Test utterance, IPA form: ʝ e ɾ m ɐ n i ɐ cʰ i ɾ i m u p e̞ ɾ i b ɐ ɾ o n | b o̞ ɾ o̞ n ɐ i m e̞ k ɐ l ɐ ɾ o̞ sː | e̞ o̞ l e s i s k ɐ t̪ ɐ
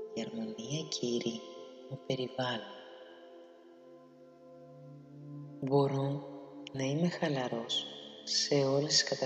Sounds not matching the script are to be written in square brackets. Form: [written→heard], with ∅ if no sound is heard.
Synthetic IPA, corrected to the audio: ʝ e ɾ m ɐ n i ɐ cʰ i ɾ i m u p e̞ ɾ i [b→v] ɐ [ɾ→l] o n | b o̞ ɾ o̞ n ɐ i m e̞ [k→x] ɐ l ɐ ɾ o̞ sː | e̞ o̞ l e s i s k ɐ t̪ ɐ